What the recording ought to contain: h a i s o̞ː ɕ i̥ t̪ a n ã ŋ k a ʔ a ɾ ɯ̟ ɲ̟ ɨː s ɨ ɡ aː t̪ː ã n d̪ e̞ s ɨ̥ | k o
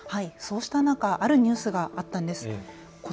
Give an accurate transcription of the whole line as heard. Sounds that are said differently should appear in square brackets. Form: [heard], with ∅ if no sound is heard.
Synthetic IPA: h a i s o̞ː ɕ i̥ t̪ a n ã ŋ k a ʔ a ɾ ɯ̟ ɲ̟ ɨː s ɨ ɡ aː t̪ː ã n d̪ e̞ s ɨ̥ | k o